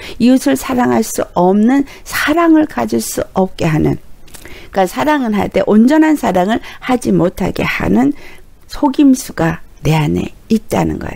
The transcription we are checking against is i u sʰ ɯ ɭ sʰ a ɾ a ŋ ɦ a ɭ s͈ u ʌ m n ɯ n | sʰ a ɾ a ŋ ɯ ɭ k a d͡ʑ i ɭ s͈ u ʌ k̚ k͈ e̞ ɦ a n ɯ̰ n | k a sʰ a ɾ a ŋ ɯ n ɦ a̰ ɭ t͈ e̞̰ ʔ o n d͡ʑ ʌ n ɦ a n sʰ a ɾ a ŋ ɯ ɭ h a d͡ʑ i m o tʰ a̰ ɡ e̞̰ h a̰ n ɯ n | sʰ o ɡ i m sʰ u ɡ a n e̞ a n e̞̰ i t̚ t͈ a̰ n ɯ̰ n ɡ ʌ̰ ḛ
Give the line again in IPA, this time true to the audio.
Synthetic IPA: i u sʰ ɯ ɭ sʰ a ɾ a ŋ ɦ a ɭ s͈ u ʌ m n ɯ n | sʰ a ɾ a ŋ ɯ ɭ k a d͡ʑ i ɭ s͈ u ʌ p̚ k͈ e̞ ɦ a n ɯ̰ n | k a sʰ a ɾ a ŋ ɯ n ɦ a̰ ɭ t͈ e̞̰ ʔ o n d͡ʑ ʌ n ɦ a n sʰ a ɾ a ŋ ɯ ɭ h a d͡ʑ i m o tʰ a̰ ɡ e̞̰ h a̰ n ɯ n | sʰ o ɡ i m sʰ u ɡ a n e̞ a n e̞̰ i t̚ t͈ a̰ n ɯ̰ n ɡ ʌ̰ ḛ

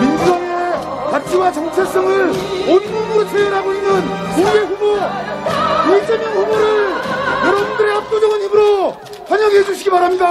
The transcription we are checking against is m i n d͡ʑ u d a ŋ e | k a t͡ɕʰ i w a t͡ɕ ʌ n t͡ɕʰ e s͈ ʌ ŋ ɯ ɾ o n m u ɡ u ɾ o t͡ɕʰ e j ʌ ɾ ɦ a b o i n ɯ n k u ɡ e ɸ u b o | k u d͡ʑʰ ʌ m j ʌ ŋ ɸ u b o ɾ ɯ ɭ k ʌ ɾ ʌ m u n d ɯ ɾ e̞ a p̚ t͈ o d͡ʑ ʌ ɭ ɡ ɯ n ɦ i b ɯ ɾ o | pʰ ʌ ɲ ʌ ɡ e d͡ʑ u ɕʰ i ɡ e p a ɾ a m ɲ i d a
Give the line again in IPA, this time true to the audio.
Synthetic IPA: m i n d͡ʑ u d a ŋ e | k a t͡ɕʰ i w a t͡ɕ ʌ ŋ t͡ɕʰ e s͈ ʌ ŋ ɯ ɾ o n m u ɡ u ɾ o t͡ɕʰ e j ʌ ɾ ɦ a b o i n ɯ n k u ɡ e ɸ u b o | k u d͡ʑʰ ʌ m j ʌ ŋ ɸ u b o ɾ ɯ ɭ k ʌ ɾ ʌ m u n d ɯ ɾ e̞ a p̚ t͈ o d͡ʑ ʌ ɡ ɯ n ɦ i b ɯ ɾ o | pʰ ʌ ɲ ʌ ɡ e d͡ʑ u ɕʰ i ɡ i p a ɾ a m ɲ i d a

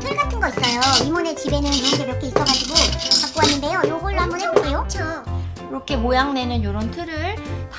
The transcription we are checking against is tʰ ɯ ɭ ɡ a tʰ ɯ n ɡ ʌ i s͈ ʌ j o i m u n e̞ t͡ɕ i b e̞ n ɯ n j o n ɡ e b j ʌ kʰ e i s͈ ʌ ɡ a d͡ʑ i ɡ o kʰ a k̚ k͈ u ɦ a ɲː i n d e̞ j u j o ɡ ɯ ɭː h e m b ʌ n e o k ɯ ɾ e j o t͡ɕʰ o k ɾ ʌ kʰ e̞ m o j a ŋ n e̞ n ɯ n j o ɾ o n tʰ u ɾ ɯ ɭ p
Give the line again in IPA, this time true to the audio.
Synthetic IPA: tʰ ɯ ɭ ɡ a tʰ ɯ n ɡ ʌ i s͈ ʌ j o i m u n e̞ t͡ɕ i b e̞ n ɯ n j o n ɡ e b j ʌ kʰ e i s͈ ʌ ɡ a d͡ʑ i ɡ o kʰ a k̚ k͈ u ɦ a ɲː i n d e̞ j o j o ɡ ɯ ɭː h a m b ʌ n e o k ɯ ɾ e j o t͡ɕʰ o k ɾ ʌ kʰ e̞ m o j a ŋ n e̞ n ɯ n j o ɾ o n tʰ ɯ ɾ ɯ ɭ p

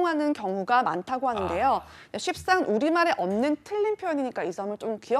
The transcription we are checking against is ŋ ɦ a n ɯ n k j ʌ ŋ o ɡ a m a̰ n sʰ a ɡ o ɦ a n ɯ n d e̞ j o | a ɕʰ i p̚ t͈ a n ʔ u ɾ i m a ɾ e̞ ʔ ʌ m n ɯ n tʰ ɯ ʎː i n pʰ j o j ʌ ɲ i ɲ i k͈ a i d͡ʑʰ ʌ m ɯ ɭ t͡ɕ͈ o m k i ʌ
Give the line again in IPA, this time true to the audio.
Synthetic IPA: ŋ ɦ a n ɯ n k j ʌ ŋ u ɡ a m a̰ n tʰ a ɡ o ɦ a n ɯ n d e̞ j o | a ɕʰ i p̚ s͈ a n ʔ u ɾ i m a ɾ e̞ ʔ ʌ m n ɯ n tʰ ɯ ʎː i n pʰ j o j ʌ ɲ i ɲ i k͈ a i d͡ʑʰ ʌ m ɯ ɭ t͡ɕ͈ o m k i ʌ

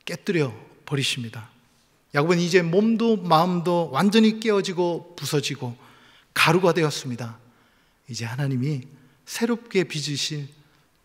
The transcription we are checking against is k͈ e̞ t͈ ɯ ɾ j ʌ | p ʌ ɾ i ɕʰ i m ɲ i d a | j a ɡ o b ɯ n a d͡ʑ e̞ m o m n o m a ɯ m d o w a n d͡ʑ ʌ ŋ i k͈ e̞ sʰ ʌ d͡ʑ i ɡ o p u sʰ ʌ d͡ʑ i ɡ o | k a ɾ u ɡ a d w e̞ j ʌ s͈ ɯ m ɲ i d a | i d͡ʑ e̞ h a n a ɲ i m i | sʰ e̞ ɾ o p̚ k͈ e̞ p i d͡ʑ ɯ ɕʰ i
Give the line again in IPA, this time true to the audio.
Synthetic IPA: k͈ e̞ t͈ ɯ ɾ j ʌ | p ʌ ɾ i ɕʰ i m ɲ i d a | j a ɡ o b ɯ n i d͡ʑ e̞ m o m d o m a ɯ m d o w a n d͡ʑ ʌ ɲ i k͈ e̞ ʌ d͡ʑ i ɡ o p u sʰ ʌ d͡ʑ i ɡ o | k a ɾ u ɡ a d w e̞ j ʌ s͈ ɯ m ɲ i d a | i d͡ʑ e̞ h a n a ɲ i m i | sʰ e̞ ɾ o p̚ k͈ e̞ p i d͡ʑ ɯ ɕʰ i

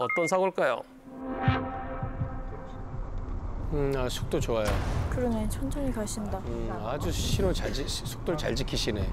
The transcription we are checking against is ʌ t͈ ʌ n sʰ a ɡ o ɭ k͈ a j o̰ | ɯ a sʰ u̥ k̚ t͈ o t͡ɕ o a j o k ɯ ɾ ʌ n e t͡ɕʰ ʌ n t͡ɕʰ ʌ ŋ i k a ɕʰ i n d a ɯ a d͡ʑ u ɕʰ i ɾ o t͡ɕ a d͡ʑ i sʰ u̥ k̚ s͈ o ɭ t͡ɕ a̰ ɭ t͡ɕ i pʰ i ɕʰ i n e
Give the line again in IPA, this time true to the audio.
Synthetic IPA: ʌ t͈ ʌ n sʰ a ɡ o ɭ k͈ a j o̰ | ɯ a sʰ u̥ k̚ t͈ o t͡ɕ o a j o k ɯ ɾ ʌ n e t͡ɕʰ ʌ n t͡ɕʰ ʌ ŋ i k a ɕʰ i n d a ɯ a d͡ʑ u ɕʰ i ɾ o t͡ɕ a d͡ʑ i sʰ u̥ k̚ t͈ o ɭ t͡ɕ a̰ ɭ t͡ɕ i kʰ i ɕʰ i n e

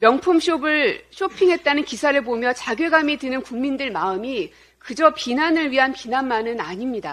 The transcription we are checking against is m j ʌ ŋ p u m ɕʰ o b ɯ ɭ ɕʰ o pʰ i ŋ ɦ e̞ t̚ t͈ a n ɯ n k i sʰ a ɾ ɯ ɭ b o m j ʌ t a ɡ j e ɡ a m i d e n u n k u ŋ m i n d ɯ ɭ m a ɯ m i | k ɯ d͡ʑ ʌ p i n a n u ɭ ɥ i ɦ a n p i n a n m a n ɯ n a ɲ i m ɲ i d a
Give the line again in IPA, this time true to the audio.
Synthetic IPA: m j ʌ ŋ pʰ u m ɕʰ o b ɯ ɭ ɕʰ o pʰ i ŋ ɦ e̞ t̚ t͈ a n ɯ n k i sʰ a ɾ ɯ ɭ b o m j ʌ t͡ɕ a ɡ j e ɡ a m i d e n ɯ n k u ŋ m i n d ɯ ɭ m a ɯ m i | k ɯ d͡ʑ ʌ p i n a n ɯ ɭ ɥ i ɦ a n p i n a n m a n ɯ n a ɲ i m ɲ i d a

